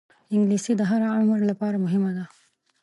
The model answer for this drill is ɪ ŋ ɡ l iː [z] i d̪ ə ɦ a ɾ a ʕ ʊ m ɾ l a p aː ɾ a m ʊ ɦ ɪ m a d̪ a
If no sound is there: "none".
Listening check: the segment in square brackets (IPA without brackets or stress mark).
s